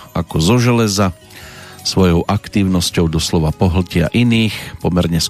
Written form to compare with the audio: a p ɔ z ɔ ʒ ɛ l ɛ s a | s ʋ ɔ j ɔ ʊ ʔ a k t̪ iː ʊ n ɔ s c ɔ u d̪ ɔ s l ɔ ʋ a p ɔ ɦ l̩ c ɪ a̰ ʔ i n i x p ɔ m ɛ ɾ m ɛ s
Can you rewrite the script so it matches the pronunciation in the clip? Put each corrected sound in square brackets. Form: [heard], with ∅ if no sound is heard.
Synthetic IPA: a [k] ɔ z ɔ ʒ ɛ l ɛ [z] a | s ʋ ɔ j ɔ ʊ ʔ a k t̪ iː ʊ n ɔ s c ɔ [ʊ] d̪ ɔ s l ɔ ʋ a p ɔ ɦ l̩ c ɪ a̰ ʔ i n [iː] x p ɔ m ɛ ɾ [ɲ] ɛ s